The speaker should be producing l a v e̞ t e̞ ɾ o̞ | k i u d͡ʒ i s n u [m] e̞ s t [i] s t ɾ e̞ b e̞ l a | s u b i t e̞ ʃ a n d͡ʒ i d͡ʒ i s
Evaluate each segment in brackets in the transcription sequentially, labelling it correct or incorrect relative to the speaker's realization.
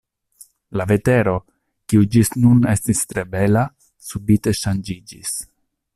incorrect: n, correct

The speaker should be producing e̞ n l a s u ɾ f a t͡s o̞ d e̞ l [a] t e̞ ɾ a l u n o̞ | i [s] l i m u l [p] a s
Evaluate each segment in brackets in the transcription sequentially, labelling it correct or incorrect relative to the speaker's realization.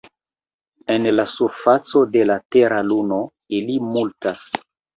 correct, incorrect: none, incorrect: t

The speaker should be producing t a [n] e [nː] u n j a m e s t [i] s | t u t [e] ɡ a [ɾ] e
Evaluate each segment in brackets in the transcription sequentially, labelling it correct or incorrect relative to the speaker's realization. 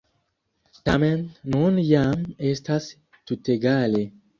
incorrect: m, correct, incorrect: a, correct, incorrect: l

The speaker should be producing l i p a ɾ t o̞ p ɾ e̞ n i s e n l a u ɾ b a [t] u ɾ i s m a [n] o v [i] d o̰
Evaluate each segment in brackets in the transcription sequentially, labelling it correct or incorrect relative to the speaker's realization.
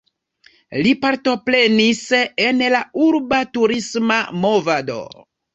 correct, incorrect: m, incorrect: a

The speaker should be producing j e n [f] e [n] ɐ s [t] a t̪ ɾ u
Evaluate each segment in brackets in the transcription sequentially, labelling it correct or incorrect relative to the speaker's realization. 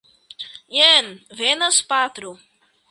incorrect: v, correct, incorrect: p

